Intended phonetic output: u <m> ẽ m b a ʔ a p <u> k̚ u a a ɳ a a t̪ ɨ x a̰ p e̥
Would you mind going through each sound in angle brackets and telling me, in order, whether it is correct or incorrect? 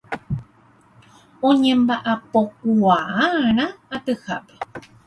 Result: incorrect, incorrect

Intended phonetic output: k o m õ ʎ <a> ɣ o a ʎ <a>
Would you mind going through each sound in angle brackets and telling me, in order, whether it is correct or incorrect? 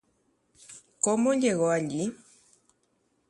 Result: incorrect, incorrect

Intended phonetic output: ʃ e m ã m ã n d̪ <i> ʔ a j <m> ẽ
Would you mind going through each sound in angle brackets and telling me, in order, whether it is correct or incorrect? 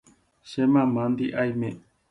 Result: correct, correct

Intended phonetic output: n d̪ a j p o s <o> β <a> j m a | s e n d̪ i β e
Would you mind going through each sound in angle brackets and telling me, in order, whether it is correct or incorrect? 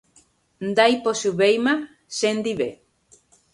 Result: incorrect, incorrect

